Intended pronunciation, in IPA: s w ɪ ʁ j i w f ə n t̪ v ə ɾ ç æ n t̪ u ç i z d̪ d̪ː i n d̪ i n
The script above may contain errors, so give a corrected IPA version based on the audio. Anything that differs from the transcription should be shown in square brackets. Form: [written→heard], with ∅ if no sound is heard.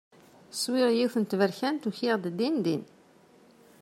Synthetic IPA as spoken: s w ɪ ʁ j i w [f→θ] ə n t̪ v ə ɾ ç æ n t̪ u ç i [z→ʁ] d̪ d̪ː i n d̪ i n